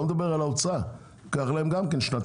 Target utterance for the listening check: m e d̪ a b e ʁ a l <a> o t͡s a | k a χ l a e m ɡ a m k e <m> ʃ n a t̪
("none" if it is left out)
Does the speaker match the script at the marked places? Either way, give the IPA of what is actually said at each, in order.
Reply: a, n

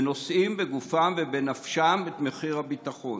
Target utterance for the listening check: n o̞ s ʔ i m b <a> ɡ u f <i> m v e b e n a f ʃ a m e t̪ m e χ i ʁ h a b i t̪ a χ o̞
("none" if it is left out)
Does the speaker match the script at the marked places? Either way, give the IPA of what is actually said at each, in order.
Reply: e, a

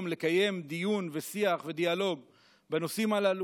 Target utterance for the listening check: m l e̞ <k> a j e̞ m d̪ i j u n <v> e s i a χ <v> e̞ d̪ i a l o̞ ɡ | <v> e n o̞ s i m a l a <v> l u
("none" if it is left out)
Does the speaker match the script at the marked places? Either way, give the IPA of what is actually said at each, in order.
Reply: k, v, v, b, none

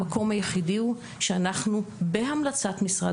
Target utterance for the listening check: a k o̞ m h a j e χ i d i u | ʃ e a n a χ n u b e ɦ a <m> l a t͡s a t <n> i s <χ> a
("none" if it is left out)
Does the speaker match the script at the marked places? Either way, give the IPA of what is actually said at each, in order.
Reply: m, m, ʁ

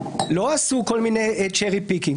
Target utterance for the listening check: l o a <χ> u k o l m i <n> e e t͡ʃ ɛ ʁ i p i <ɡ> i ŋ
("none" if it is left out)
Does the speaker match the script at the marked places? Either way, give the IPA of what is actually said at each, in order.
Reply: s, n, k

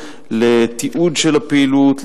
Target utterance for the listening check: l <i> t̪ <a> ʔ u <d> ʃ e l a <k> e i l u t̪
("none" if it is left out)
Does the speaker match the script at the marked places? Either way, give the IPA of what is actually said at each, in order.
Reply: e, i, d, p

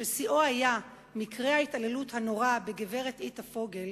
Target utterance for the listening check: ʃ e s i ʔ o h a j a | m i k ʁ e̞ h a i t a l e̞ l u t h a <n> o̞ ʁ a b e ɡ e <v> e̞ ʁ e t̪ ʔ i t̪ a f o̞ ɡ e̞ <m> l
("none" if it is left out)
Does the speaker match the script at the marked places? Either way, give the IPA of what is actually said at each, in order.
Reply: n, v, none

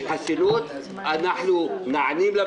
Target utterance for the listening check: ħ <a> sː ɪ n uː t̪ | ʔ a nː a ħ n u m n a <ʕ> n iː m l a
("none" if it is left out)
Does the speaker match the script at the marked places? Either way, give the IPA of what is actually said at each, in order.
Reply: a, ʕ

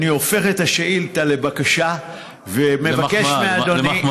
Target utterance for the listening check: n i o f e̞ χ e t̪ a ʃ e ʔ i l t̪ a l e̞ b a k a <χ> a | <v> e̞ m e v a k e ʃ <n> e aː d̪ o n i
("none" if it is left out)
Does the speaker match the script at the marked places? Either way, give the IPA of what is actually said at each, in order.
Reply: ʃ, v, m

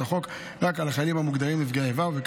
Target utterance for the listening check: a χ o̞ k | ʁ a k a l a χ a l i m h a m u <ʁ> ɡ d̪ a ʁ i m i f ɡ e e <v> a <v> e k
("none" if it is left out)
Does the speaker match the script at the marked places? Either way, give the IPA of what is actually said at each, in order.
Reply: none, v, v

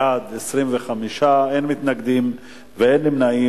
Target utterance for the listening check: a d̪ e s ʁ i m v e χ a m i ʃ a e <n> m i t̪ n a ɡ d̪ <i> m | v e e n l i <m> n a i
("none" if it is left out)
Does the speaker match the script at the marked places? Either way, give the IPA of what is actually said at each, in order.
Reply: n, i, m

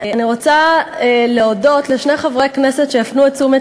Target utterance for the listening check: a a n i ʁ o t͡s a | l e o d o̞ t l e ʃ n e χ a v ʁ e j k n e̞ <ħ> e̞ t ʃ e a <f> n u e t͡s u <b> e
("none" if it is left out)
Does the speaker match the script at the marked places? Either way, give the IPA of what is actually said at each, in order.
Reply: s, f, m

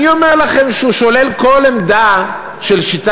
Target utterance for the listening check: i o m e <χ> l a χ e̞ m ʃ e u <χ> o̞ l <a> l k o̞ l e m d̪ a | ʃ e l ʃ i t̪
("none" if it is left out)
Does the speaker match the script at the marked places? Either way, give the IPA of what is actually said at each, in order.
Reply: ʁ, ʃ, e

